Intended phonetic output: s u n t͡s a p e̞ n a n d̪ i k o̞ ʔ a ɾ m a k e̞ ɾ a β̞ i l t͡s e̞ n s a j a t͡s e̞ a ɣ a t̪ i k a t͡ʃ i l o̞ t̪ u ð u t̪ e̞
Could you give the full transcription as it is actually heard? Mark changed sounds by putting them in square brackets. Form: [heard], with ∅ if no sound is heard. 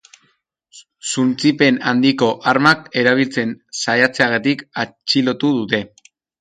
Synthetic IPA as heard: s u n t͡s [i] p e̞ n a n d̪ i k o̞ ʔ a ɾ m a k e̞ ɾ a β̞ i l t͡s e̞ n s a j a t͡s e̞ a ɣ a t̪ i k a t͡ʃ i l o̞ t̪ u ð u t̪ e̞